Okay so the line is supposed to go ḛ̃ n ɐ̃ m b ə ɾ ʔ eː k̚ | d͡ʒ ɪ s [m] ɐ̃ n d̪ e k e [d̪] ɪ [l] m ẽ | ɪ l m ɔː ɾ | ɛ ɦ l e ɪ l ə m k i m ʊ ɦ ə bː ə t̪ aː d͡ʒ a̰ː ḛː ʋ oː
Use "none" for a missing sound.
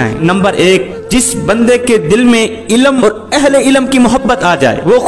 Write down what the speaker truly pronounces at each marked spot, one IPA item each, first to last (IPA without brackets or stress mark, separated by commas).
b, d̪, l